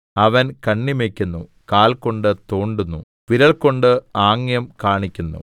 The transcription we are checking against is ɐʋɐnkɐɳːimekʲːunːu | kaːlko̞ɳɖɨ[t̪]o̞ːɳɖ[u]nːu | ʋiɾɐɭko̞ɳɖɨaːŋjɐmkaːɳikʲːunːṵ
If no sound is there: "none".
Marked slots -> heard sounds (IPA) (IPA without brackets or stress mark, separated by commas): t̪, u